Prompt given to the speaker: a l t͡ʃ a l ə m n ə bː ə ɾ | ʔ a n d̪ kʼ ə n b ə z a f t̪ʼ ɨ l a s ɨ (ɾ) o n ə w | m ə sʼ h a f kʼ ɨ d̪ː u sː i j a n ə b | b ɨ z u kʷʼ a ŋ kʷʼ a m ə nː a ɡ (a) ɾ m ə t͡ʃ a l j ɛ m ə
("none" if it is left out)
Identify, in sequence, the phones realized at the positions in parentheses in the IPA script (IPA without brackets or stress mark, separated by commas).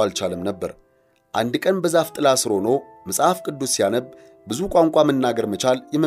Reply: ɾ, ə